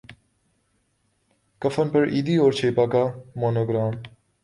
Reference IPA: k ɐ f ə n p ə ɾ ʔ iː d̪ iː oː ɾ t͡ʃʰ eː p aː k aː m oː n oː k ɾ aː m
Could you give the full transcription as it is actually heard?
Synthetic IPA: k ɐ f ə n p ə ɾ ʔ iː d̪ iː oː ɾ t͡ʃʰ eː p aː k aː m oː n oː ɡ ɾ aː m